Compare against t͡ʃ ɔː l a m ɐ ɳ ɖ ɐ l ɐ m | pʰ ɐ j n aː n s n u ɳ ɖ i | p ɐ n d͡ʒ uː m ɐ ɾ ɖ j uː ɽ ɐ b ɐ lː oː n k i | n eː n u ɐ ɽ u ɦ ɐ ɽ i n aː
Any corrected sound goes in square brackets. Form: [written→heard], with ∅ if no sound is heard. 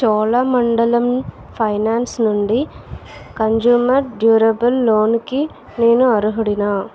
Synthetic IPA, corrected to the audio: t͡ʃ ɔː l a m ɐ ɳ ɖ ɐ l ɐ m | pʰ ɐ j n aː n s n u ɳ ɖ i | [p→k] ɐ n d͡ʒ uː m ɐ ɾ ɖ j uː [ɽ→ɾ] ɐ b ɐ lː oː n k i | n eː n u ɐ [ɽ→ɾ] u ɦ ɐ ɽ i n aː